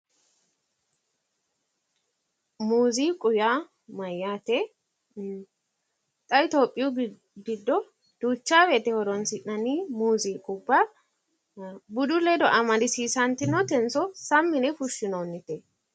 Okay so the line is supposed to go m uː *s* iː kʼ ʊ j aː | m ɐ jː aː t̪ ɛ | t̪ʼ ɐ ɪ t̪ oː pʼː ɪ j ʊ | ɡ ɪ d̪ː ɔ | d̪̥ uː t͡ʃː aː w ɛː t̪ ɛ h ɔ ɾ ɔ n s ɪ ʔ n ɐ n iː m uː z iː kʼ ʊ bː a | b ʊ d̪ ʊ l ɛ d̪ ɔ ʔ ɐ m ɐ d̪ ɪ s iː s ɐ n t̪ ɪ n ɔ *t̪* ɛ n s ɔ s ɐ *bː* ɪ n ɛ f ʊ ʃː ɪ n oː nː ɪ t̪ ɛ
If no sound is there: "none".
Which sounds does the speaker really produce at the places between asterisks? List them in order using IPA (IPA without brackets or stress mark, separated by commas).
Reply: z, t̪, mː